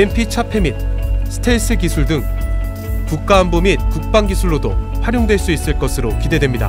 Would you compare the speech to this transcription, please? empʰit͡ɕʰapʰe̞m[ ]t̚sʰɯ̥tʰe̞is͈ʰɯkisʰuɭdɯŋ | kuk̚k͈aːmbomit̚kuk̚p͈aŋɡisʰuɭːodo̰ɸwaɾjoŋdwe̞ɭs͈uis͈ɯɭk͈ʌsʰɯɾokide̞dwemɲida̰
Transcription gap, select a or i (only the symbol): i